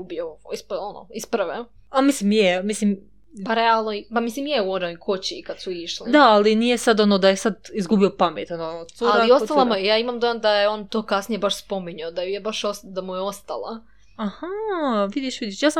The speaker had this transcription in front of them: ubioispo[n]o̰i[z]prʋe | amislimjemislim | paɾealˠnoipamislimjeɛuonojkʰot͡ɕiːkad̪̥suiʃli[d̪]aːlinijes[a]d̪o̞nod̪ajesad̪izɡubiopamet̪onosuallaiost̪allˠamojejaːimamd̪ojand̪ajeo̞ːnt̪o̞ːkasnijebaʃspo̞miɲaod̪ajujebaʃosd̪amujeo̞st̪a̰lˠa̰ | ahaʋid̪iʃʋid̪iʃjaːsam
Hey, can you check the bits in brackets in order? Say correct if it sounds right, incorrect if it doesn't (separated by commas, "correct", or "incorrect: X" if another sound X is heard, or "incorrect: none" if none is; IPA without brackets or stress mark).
correct, incorrect: s, correct, correct